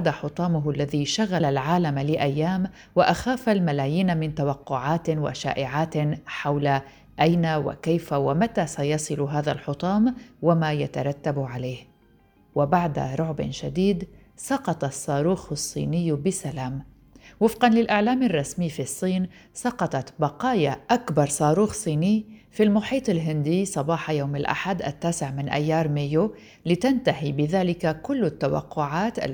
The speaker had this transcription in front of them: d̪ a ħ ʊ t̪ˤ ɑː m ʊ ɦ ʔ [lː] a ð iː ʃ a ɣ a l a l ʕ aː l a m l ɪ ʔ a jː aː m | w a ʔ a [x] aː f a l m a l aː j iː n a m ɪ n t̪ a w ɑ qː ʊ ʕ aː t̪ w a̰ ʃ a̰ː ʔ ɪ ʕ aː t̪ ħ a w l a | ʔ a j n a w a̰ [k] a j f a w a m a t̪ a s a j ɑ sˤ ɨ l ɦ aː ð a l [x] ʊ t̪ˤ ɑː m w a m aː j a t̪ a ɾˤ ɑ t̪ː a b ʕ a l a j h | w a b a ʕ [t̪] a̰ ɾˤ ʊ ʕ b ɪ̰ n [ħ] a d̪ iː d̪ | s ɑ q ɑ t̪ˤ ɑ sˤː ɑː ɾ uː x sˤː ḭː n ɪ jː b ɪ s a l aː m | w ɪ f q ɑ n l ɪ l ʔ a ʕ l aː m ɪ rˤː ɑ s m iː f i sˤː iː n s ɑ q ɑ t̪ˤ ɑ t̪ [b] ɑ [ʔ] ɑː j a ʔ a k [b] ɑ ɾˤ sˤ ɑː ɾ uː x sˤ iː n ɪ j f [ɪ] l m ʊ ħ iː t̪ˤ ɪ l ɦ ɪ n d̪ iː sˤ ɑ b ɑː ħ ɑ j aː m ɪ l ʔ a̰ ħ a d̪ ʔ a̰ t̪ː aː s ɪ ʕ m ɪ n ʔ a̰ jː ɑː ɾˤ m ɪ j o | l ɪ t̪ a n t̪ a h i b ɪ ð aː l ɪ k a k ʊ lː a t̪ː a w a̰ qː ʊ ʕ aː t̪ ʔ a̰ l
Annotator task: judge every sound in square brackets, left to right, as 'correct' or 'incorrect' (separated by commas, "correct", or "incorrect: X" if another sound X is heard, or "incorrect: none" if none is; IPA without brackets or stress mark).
correct, correct, correct, incorrect: ħ, incorrect: d̪, incorrect: ʃ, correct, incorrect: q, correct, incorrect: i